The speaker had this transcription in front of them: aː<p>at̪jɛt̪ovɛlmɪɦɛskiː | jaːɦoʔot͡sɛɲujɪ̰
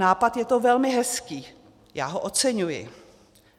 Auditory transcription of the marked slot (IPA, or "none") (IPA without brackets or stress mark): p